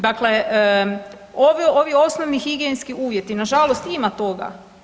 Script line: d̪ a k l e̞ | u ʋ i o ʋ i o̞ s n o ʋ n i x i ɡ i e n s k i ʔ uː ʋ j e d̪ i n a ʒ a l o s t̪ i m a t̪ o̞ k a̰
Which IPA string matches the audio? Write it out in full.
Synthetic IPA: d̪ a k l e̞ | o ʋ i o ʋ i o̞ s n o ʋ n i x i ɡ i e n s k i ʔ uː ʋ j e t̪ i n a ʒ a l o s t̪ i m a t̪ o̞ ɡ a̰